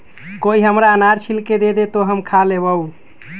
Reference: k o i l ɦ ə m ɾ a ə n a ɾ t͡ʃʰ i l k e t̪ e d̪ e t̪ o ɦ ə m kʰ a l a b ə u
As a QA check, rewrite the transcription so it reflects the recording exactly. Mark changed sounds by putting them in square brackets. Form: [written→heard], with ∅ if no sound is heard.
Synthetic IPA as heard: k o i [l→∅] ɦ ə m ɾ a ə n a ɾ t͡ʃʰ i l k e [t̪→d̪] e d̪ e t̪ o ɦ ə m kʰ a l [a→e] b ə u